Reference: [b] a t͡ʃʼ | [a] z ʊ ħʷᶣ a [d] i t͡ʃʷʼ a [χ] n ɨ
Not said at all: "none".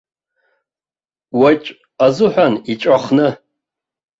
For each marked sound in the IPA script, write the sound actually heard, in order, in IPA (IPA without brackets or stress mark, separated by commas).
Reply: w, a, n, χ